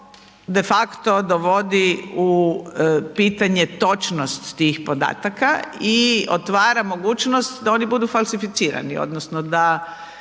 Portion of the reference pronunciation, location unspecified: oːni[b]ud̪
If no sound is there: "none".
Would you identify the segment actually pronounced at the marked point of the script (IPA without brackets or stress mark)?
b